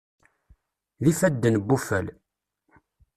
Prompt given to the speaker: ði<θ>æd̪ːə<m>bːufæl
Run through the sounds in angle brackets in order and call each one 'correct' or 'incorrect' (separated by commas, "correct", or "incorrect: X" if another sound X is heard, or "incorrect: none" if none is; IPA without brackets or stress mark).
incorrect: f, incorrect: n